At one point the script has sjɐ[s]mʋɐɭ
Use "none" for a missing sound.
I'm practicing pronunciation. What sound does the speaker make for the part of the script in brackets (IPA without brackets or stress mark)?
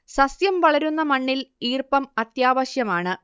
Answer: none